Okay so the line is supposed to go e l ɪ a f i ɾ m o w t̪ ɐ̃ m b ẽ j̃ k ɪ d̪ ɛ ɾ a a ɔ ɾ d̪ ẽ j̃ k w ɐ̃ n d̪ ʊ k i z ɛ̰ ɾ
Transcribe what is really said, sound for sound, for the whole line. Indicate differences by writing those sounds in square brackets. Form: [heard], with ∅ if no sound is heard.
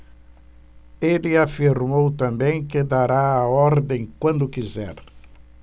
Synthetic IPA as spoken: e l ɪ a f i ɾ m o w t̪ ɐ̃ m b ẽ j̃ k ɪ d̪ [a] ɾ a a ɔ ɾ d̪ ẽ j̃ k w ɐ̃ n d̪ ʊ k i z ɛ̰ ɾ

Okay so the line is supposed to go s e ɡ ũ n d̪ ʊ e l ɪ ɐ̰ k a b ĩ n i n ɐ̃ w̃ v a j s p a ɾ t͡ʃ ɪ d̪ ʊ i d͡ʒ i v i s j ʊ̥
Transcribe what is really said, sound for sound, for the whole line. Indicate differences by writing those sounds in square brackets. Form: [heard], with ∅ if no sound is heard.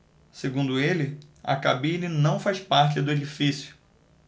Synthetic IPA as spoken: s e ɡ ũ n d̪ ʊ e l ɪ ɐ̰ k a b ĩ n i n ɐ̃ w̃ [f] a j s p a ɾ t͡ʃ ɪ d̪ ʊ [e] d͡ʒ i [f] i s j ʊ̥

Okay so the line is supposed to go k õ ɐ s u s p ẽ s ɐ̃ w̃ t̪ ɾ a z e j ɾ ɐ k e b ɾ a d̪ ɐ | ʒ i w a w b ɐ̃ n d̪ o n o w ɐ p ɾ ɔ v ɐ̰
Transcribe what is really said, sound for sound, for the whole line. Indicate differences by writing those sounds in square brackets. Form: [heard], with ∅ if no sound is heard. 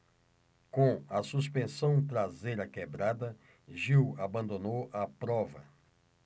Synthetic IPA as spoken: k õ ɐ s u s p ẽ s ɐ̃ w̃ t̪ ɾ a z e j ɾ ɐ k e b ɾ a d̪ ɐ | ʒ i w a [∅] b ɐ̃ n d̪ o n o w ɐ p ɾ ɔ v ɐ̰

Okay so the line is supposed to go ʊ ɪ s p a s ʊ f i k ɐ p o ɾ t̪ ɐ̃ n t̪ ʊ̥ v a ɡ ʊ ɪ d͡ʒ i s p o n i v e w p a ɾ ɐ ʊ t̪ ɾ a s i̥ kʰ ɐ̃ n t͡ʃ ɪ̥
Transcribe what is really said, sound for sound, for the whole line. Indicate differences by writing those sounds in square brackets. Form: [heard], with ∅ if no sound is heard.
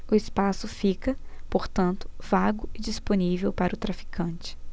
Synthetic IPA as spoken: ʊ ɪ s p a s ʊ f i k ɐ p o ɾ t̪ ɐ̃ n t̪ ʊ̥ v a ɡ ʊ ɪ d͡ʒ i s p o n i v e w p a ɾ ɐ ʊ t̪ ɾ a [f] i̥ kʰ ɐ̃ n t͡ʃ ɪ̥

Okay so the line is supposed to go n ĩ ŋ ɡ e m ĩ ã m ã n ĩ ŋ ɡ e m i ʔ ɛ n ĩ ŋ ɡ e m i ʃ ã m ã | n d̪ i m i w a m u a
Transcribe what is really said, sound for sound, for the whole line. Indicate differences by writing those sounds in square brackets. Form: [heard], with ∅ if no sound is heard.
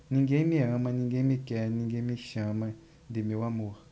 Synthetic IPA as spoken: n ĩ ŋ ɡ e m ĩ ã m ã n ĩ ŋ ɡ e m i [k] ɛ n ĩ ŋ ɡ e m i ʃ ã m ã | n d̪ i m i w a m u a

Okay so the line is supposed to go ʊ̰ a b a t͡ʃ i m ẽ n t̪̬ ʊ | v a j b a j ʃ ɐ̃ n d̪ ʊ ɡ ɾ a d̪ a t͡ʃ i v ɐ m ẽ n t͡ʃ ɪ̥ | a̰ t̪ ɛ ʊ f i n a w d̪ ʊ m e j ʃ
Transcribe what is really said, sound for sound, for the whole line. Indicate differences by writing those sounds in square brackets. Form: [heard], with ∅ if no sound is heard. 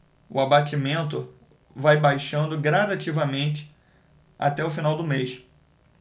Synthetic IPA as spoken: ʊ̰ a b a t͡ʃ i m ẽ n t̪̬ ʊ | v a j b a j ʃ ɐ̃ n d̪ ʊ ɡ ɾ a d̪ a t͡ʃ i v ɐ m ẽ n t͡ʃ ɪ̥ | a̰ t̪ ɛ ʊ f i n a w d̪ ʊ m e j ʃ

